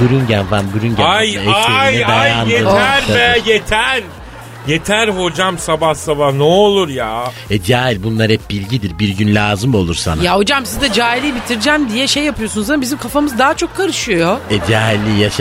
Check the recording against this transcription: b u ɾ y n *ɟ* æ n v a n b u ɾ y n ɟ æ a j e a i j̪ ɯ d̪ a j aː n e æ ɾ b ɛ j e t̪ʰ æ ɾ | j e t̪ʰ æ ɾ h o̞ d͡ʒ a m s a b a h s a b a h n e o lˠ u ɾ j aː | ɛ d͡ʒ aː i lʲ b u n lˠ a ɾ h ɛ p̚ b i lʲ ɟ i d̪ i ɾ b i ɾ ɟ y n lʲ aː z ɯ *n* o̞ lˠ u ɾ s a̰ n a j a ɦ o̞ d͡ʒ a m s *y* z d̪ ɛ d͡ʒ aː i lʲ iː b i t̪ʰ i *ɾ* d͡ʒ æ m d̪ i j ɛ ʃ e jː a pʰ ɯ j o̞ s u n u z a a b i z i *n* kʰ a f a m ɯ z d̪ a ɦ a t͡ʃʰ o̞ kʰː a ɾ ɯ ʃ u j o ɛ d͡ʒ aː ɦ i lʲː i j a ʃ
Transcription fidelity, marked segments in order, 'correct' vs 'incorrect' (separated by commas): correct, incorrect, incorrect, correct, incorrect